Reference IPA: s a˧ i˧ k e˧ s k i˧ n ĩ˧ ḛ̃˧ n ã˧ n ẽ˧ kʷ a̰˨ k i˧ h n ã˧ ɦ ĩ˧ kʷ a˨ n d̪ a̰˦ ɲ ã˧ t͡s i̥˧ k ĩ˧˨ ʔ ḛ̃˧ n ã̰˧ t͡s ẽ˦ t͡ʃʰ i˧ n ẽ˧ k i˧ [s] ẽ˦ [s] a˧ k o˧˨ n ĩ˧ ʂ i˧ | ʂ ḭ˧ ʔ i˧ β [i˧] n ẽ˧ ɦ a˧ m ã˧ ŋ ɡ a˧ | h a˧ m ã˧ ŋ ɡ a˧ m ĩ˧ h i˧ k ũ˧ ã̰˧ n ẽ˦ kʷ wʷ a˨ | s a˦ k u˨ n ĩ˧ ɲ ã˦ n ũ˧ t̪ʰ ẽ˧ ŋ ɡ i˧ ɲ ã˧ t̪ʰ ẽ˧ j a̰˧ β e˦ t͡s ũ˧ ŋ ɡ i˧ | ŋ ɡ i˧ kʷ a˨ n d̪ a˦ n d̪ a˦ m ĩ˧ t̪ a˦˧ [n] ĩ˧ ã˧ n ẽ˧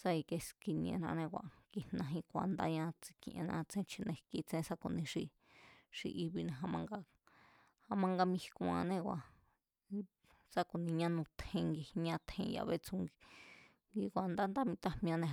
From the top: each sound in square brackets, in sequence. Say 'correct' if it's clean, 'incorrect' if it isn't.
incorrect, correct, correct, incorrect

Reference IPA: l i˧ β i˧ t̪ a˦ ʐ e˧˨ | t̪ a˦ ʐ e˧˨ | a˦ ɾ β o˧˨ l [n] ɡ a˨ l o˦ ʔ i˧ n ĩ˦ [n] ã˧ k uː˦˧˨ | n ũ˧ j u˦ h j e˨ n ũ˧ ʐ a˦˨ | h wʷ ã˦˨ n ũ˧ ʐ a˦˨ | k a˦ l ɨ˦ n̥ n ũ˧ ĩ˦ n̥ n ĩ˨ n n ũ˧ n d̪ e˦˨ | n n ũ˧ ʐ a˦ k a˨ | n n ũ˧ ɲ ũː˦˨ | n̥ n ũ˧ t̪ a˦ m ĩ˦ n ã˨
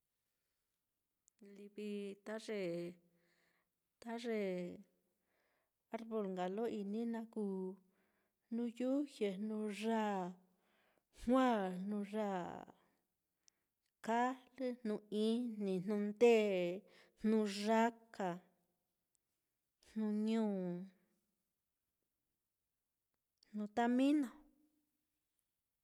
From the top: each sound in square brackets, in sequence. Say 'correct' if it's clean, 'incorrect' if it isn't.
incorrect, correct

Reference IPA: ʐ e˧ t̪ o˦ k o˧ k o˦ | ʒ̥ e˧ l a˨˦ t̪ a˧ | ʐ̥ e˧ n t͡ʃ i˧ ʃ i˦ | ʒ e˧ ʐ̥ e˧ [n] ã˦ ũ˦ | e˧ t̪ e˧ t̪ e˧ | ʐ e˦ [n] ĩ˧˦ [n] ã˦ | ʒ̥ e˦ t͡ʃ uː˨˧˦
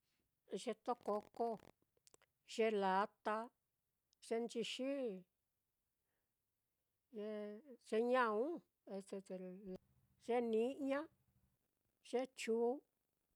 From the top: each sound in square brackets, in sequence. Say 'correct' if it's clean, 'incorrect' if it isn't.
incorrect, correct, incorrect

